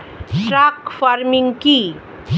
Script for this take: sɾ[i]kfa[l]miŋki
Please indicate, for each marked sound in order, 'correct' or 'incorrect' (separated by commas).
incorrect, incorrect